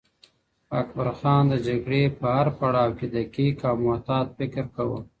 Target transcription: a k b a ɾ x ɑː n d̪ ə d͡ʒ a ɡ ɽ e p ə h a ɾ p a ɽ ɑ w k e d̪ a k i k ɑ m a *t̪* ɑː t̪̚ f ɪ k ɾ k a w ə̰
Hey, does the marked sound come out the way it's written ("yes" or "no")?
yes